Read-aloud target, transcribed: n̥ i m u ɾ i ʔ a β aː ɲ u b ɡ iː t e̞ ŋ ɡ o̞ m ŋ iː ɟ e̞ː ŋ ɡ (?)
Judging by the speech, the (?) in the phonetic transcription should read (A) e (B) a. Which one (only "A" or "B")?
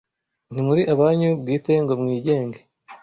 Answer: A